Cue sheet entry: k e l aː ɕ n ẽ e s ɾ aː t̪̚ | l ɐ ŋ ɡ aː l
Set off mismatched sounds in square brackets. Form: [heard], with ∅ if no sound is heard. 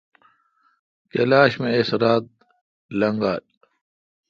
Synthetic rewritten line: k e l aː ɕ [m] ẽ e s ɾ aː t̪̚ | l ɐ ŋ ɡ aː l